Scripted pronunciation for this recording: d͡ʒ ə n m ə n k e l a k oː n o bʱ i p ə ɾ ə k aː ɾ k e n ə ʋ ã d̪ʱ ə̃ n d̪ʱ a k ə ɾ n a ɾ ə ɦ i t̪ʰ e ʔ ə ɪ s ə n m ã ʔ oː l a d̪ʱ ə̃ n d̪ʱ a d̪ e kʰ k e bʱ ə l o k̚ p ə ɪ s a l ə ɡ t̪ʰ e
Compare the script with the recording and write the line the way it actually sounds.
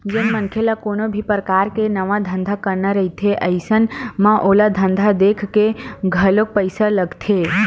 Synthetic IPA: d͡ʒ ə n m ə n kʰ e l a k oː n o bʱ i p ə ɾ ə k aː ɾ k e n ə ʋ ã d̪ʱ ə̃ n d̪ʱ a k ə ɾ n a ɾ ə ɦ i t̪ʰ e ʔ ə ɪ s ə n m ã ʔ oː l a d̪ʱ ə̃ n d̪ʱ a d̪ e kʰ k e ɡʱ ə l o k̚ p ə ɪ s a l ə ɡ t̪ʰ e